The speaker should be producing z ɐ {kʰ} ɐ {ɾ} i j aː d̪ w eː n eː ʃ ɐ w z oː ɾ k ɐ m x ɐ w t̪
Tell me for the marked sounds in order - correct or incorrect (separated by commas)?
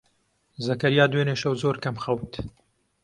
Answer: incorrect, correct